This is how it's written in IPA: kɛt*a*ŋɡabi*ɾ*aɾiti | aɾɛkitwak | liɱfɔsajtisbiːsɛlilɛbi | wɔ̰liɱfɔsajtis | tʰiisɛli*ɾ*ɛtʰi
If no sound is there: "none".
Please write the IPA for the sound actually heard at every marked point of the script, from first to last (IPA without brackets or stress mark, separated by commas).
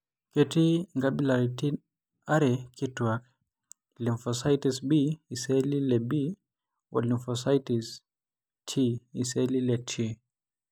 i, l, l